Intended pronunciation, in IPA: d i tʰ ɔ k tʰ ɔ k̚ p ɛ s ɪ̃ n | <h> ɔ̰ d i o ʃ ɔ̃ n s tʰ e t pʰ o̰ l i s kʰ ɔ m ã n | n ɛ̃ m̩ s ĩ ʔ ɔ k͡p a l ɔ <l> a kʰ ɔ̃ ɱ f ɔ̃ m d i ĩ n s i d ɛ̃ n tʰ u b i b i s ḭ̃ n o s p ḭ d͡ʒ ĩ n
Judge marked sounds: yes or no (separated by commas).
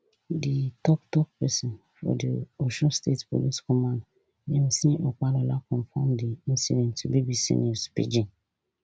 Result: no, yes